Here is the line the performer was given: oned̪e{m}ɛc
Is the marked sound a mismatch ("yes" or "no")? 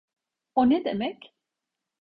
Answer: no